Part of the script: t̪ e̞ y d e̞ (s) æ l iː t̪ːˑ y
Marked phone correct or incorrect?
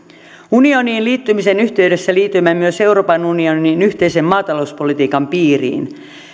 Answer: incorrect